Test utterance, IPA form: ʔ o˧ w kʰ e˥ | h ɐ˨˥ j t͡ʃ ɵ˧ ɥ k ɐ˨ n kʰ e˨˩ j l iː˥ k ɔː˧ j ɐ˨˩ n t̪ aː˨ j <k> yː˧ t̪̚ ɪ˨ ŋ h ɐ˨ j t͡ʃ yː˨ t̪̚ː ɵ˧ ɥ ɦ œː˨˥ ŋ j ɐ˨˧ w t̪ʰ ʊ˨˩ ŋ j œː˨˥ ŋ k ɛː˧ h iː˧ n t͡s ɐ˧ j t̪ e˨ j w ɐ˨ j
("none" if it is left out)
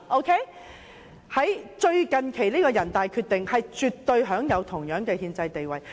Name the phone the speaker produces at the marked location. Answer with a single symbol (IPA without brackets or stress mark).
kʰ